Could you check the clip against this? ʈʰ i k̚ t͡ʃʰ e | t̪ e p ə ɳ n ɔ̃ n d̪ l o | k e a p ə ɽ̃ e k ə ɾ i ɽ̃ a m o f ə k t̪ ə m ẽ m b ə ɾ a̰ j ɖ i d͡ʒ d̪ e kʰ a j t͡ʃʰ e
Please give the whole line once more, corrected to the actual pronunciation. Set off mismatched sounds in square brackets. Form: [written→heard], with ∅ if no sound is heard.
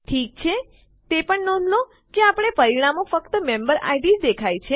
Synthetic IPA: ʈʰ i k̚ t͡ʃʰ e | t̪ e p ə ɳ n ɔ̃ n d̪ l o | k e a p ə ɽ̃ e [k→p] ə ɾ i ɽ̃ a m o f ə k t̪ ə m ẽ m b ə ɾ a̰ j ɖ i d͡ʒ d̪ e kʰ a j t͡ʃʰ e